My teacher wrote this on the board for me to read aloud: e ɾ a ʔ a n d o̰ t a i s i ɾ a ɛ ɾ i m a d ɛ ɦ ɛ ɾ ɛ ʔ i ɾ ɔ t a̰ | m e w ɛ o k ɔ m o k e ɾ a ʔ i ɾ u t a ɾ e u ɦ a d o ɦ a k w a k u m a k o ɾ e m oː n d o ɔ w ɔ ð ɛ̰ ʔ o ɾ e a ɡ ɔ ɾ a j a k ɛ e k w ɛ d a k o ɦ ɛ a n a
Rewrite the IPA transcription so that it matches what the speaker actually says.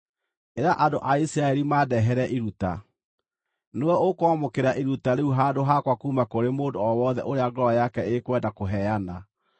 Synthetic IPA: e ɾ a ʔ a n d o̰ ʔ a i s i ɾ a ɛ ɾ i m a d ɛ ɦ ɛ ɾ ɛ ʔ i ɾ u t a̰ | n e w ɛ o k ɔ m o k e ɾ a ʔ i ɾ u t a ɾ e u ɦ a d o ɦ a k w a k u m a k o ɾ e m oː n d o ɔ w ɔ ð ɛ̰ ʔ o ɾ e a ɡ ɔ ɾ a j a k ɛ e k w ɛ d a k o ɦ ɛ a n a